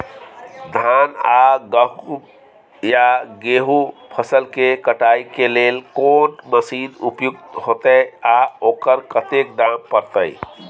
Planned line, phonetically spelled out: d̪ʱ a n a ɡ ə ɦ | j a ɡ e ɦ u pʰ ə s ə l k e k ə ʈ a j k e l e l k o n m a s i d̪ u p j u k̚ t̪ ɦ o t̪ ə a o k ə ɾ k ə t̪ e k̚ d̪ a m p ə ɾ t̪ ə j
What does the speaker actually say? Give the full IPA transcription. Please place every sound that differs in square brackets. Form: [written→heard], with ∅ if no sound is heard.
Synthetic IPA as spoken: d̪ʱ a n a ɡ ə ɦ | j a ɡ e ɦ u pʰ ə s ə l k e k ə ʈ a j k e l e l k o n m [a→ə] s i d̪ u p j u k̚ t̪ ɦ o t̪ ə a o k ə ɾ k ə t̪ e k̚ d̪ a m p ə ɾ t̪ ə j